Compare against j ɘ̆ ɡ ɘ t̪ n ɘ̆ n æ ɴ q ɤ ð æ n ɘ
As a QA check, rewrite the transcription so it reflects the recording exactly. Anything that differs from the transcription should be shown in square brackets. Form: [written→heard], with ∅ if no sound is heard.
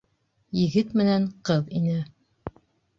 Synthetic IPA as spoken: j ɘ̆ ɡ ɘ t̪ [n→m] ɘ̆ n æ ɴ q ɤ ð [æ→i] n ɘ